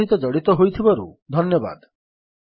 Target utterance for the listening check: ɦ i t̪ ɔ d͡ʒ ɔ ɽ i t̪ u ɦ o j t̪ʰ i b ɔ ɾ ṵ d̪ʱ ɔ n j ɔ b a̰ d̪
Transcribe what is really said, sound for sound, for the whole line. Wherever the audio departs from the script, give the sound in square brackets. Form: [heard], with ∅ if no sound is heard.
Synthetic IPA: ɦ i t̪ ɔ d͡ʒ ɔ ɽ i t̪ [ɔ] ɦ o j t̪ʰ i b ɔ ɾ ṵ d̪ʱ ɔ n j ɔ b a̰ d̪